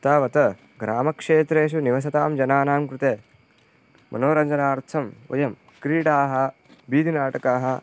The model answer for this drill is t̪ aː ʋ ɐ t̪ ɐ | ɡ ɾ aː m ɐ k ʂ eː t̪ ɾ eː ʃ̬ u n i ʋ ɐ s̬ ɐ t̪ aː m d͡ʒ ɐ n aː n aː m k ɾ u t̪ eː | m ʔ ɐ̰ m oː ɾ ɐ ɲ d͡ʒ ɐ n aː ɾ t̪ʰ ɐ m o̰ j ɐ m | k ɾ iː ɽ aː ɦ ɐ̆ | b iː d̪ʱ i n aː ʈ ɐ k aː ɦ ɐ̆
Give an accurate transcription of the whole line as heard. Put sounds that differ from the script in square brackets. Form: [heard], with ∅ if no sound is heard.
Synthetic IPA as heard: t̪ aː ʋ ɐ t̪ ɐ | ɡ ɾ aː m ɐ k ʂ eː t̪ ɾ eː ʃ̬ u n i ʋ ɐ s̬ ɐ t̪ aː m d͡ʒ ɐ n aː n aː m k ɾ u t̪ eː | m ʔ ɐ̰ [n] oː ɾ ɐ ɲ d͡ʒ ɐ n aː ɾ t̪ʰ ɐ m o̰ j ɐ m | k ɾ iː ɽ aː ɦ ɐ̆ | b iː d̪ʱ i n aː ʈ ɐ k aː ɦ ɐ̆